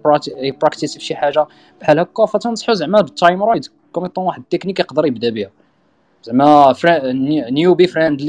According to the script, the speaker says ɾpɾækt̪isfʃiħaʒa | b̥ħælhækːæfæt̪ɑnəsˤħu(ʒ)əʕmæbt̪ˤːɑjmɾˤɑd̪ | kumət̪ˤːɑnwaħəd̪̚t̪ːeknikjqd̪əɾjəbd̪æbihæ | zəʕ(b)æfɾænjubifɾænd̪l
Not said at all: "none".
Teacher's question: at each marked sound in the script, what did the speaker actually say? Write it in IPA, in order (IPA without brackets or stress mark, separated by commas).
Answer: z, m